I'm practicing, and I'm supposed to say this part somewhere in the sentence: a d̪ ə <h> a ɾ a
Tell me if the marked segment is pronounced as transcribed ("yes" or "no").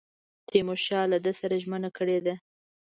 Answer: no